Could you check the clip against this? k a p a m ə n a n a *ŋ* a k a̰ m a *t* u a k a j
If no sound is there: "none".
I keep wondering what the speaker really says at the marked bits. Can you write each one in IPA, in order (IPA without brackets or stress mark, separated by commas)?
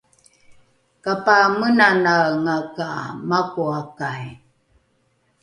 ŋ, k